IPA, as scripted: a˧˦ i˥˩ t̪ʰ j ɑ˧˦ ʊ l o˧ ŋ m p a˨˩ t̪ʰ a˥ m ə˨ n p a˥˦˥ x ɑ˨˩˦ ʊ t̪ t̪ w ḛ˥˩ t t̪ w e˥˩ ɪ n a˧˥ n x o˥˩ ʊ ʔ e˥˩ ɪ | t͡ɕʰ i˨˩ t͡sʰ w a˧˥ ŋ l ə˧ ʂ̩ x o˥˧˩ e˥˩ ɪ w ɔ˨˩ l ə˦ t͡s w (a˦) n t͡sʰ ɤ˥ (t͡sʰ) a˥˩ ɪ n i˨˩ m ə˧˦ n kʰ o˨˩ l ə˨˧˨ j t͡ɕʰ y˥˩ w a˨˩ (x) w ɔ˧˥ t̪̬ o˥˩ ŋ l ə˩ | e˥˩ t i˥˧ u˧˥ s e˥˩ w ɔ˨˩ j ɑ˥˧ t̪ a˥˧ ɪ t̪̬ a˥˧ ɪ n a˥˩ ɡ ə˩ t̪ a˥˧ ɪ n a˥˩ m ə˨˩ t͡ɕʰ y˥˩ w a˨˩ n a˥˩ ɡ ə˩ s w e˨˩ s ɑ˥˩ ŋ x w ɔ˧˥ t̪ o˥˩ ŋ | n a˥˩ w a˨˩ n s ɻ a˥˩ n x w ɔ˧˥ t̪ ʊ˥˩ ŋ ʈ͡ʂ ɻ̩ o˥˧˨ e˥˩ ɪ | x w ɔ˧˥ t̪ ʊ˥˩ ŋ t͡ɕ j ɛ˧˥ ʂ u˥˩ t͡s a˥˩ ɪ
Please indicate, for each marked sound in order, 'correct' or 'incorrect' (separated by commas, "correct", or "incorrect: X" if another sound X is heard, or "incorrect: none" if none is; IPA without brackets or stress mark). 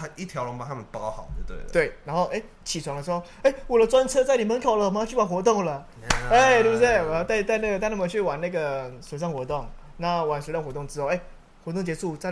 correct, incorrect: t͡s, correct